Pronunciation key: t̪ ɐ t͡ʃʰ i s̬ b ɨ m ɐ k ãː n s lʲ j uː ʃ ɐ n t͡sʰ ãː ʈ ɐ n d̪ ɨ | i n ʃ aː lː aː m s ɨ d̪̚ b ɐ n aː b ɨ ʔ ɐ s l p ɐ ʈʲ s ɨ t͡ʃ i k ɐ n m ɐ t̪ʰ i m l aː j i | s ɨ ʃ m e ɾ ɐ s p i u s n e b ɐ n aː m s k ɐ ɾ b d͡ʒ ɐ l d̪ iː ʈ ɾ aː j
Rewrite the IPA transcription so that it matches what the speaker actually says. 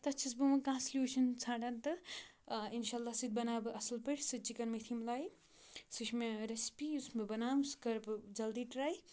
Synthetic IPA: t̪ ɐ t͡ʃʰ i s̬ b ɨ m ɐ k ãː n s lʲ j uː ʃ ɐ n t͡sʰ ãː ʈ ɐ n t̪ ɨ | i n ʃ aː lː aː s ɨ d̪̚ b ɐ n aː b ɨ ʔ ɐ s l p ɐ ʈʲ s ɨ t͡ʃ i k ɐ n m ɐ t̪ʰ i m l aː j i | s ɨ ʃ m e ɾ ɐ s p i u s m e b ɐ n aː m s k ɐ ɾ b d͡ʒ ɐ l d̪ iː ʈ ɾ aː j

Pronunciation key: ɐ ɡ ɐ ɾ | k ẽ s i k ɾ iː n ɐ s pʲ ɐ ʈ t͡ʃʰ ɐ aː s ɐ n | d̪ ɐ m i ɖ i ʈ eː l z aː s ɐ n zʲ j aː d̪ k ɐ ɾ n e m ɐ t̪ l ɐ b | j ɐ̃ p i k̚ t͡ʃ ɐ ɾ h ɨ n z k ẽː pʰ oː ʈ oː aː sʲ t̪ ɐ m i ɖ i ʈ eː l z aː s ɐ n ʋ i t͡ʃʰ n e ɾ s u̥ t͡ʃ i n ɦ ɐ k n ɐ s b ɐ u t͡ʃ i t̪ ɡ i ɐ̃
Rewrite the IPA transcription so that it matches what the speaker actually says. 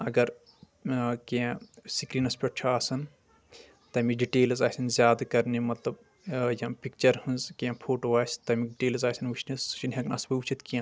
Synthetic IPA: ɐ ɡ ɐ ɾ | k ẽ s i k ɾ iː n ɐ s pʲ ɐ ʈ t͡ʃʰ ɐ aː s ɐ n | t̪ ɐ m i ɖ i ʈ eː l z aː s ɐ n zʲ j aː d̪ k ɐ ɾ n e m ɐ t̪ l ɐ b | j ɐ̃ p i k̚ t͡ʃ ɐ ɾ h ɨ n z k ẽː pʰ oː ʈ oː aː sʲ t̪ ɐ m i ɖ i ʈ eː l z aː s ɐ n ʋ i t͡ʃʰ n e s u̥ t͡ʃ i n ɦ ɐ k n ɐ s b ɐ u t͡ʃ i t̪ k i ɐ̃

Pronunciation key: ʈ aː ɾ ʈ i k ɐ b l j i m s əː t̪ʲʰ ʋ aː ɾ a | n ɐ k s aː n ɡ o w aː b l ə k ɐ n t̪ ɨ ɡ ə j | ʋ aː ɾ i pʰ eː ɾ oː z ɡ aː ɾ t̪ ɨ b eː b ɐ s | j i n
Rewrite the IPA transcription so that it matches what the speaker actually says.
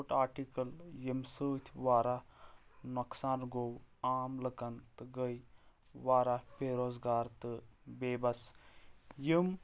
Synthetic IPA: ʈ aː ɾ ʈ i k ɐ l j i m s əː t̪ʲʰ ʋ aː ɾ a | n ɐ k s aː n ɡ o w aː m l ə k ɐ n t̪ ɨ ɡ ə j | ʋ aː ɾ a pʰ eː ɾ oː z ɡ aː ɾ t̪ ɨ b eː b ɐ s | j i m

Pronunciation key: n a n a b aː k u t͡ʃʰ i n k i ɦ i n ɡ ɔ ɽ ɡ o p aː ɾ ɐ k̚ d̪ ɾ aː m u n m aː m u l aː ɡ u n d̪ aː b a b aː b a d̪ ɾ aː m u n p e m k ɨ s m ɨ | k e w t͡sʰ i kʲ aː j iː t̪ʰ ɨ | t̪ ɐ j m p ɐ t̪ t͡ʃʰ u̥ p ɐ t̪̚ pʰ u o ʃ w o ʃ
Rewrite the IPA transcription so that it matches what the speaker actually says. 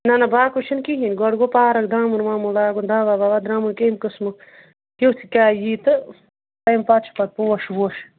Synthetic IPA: n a n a b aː k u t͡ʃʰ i n k i ɦ i n ɡ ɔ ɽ ɡ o p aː ɾ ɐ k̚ d̪ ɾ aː m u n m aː m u l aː ɡ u n d̪ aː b a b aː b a d̪ ɾ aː m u n k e m k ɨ s m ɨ | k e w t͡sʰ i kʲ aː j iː t̪ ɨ | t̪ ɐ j m p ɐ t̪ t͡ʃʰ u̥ p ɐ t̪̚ p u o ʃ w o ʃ

